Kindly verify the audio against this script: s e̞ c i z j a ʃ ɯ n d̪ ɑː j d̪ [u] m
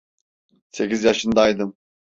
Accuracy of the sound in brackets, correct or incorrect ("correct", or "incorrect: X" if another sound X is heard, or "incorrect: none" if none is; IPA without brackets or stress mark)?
incorrect: ɯ